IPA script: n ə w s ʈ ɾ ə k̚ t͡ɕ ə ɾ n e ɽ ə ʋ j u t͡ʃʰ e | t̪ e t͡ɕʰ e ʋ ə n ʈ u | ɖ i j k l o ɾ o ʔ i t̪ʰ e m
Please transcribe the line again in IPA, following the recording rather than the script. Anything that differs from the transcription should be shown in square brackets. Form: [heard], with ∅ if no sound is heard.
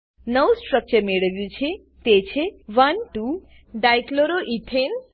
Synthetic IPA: n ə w s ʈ ɾ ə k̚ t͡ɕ ə ɾ [m] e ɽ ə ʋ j u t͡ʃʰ e | t̪ e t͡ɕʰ e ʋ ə n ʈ u | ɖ [a] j k l o ɾ o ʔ i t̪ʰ e [n]